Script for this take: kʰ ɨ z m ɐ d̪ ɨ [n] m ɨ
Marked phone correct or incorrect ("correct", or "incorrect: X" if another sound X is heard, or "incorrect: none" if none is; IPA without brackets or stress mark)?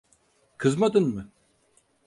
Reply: correct